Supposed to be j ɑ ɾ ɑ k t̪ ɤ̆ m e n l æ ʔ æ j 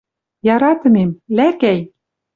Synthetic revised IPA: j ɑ ɾ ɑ t̪ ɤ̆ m e m l æ k æ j